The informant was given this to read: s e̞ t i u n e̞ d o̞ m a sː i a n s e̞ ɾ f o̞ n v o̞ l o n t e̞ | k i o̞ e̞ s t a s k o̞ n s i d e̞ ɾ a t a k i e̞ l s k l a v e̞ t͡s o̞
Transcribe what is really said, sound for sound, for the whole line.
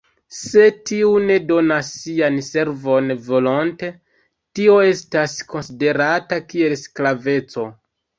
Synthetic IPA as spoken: s e̞ t i u n e̞ d o̞ n a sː i a n s e̞ ɾ v o̞ n v o̞ l o n t e̞ | t i o̞ e̞ s t a s k o̞ n s i d e̞ ɾ a t a k i e̞ l s k l a v e̞ t͡s o̞